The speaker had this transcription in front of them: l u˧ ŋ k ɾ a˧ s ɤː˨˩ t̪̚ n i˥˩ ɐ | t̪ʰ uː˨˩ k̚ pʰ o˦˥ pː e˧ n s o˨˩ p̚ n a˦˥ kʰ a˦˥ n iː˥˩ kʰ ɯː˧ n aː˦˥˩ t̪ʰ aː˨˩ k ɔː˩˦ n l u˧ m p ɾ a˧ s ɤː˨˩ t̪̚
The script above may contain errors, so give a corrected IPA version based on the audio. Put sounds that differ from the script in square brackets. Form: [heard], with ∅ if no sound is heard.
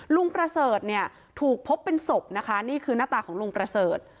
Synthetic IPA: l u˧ ŋ [p] ɾ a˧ s ɤː˨˩ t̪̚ n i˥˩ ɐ | t̪ʰ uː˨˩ k̚ pʰ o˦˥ pː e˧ n s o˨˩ p̚ n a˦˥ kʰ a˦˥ n iː˥˩ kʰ ɯː˧ n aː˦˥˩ [t̪] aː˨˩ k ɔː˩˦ [ŋ] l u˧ [ŋ] p ɾ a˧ s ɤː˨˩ t̪̚